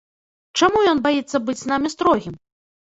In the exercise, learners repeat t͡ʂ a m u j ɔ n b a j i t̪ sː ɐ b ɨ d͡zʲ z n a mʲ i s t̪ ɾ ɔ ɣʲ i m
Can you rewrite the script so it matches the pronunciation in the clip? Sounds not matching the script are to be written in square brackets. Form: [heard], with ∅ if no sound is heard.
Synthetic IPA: t͡ʂ a m u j ɔ n b a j i t̪ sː ɐ b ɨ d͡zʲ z n a mʲ i s t̪ ɾ ɔ ɣʲ i m

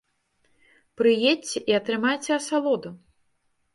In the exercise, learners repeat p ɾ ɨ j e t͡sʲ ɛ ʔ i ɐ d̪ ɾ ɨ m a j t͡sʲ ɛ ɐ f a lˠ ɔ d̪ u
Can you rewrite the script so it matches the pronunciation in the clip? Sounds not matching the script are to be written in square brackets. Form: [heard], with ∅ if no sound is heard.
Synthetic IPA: p ɾ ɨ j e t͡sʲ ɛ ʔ i ɐ [t̪] ɾ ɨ m a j t͡sʲ ɛ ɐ [s] a lˠ ɔ d̪ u

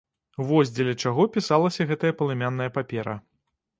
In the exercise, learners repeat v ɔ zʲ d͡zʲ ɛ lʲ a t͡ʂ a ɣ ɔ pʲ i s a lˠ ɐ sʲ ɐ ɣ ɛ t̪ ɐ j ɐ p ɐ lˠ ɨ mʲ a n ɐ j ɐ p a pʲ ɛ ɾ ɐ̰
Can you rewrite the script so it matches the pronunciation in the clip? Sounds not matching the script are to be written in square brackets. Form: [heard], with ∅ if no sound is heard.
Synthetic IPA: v ɔ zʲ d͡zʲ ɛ lʲ [ɐ] t͡ʂ a ɣ ɔ pʲ i s a lˠ ɐ sʲ ɐ ɣ ɛ t̪ ɐ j ɐ p ɐ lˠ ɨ mʲ a [nː] ɐ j ɐ p a pʲ ɛ ɾ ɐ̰

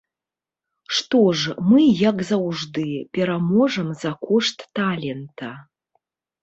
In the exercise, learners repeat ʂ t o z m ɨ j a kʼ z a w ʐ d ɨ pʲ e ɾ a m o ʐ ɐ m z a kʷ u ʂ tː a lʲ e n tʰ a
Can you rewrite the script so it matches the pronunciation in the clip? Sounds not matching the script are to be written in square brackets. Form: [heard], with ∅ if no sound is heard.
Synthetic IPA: ʂ t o [ʐ] m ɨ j a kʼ z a w ʐ d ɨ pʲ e ɾ a m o ʐ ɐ m z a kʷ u ʂ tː a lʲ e n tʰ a

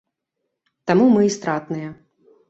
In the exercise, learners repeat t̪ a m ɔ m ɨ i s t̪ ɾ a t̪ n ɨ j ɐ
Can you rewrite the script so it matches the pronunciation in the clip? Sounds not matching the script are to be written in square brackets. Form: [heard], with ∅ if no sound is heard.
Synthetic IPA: t̪ a m [u] m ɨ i s t̪ ɾ a t̪ n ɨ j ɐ

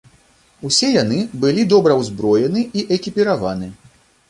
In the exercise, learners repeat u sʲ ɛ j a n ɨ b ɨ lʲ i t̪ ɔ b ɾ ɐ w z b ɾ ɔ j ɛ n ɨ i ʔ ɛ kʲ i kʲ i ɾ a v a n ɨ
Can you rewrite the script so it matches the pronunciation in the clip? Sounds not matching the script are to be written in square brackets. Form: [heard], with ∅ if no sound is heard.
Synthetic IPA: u sʲ ɛ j a n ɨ b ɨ lʲ i [d̪] ɔ b ɾ ɐ w z b ɾ ɔ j ɛ n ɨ i ʔ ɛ kʲ i [pʲ] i ɾ a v a n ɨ

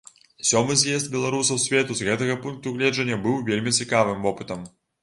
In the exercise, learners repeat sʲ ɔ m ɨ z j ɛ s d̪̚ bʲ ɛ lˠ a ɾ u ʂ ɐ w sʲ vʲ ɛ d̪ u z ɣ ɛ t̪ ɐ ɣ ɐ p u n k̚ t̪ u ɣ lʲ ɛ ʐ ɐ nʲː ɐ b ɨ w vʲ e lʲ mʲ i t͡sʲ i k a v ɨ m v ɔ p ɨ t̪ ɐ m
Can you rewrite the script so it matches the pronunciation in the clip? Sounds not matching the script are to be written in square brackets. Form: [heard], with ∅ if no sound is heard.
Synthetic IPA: sʲ ɔ m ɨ z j ɛ s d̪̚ bʲ ɛ lˠ a ɾ u [s] ɐ w sʲ vʲ ɛ [t̪] u z ɣ ɛ t̪ ɐ ɣ ɐ p u n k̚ t̪ u ɣ lʲ ɛ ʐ ɐ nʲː ɐ b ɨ w vʲ e lʲ mʲ i t͡sʲ i k a v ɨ m v ɔ p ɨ t̪ ɐ m

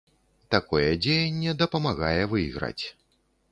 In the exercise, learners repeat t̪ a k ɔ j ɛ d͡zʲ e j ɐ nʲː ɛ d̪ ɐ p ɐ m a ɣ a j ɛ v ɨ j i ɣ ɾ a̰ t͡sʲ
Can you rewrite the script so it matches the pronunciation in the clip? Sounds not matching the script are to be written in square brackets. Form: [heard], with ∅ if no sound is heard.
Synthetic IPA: t̪ a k ɔ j ɛ d͡zʲ e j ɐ nʲː ɛ d̪ ɐ p ɐ m a ɣ a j ɛ v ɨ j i ɣ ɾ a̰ t͡sʲ

